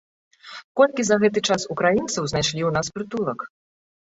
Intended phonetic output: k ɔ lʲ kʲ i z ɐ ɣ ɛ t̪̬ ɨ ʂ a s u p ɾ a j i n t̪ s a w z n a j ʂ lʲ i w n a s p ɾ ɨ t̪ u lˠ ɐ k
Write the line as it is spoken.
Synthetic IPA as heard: k ɔ lʲ kʲ i z ɐ ɣ ɛ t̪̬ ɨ t͡ʂ a s u k ɾ a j i n t̪ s ɐ w z n a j ʂ lʲ i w n a s p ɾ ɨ t̪ u lˠ ɐ k